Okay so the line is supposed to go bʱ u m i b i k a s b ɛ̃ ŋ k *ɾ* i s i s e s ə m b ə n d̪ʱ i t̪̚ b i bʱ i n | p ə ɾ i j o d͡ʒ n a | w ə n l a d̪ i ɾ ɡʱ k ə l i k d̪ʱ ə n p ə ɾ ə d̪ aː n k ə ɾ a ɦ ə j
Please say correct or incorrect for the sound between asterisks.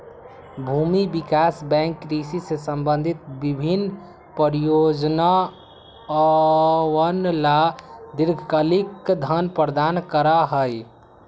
correct